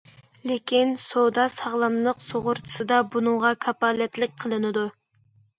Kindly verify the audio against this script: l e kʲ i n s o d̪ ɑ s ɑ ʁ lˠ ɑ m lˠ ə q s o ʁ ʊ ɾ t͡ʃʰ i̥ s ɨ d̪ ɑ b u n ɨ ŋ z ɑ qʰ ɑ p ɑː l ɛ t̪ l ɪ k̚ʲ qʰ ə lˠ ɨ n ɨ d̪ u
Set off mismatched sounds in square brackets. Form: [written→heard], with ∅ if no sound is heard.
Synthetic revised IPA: l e kʲ i n s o d̪ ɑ s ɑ ʁ lˠ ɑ m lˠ ə q s o ʁ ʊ ɾ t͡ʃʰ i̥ s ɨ d̪ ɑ b u n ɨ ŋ [z→ʁ] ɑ [qʰ→kʰ] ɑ p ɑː l ɛ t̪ l ɪ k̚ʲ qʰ ə lˠ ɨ n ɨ d̪ u